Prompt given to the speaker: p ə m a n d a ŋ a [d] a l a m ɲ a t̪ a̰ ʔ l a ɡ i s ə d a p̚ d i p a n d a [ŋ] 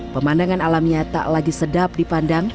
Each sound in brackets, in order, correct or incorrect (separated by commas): incorrect, correct